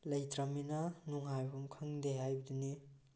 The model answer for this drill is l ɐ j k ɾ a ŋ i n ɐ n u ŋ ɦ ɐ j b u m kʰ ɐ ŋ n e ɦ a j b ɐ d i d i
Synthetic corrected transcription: l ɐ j t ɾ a m i n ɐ n u ŋ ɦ a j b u m kʰ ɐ ŋ d e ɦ a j b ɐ d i n i